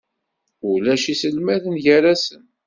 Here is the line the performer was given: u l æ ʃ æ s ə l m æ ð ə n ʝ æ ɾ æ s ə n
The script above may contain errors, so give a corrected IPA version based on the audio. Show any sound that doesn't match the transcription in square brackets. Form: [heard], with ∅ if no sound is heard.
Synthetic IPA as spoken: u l æ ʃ [i] s ə l m æ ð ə n ʝ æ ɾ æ s ə n